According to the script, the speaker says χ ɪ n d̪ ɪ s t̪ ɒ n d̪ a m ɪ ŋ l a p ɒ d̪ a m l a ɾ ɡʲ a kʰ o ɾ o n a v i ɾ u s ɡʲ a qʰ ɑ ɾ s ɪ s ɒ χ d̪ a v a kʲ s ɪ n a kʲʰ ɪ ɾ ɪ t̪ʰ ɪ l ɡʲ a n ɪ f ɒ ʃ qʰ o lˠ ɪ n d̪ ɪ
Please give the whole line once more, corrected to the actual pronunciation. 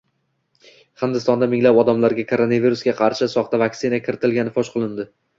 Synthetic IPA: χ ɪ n d̪ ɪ s t̪ ɒ n d̪ a m ɪ ŋ l a p ɒ d̪ a m l a ɾ ɡʲ a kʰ o ɾ o n a v i ɾ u s ɡʲ a qʰ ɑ ɾ ʃ ɪ s ɒ χ t̪ a v a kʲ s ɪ n a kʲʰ ɪ ɾ ɪ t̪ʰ ɪ l ɡʲ a n ɪ f ɒ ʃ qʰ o lˠ ɪ n d̪ ɪ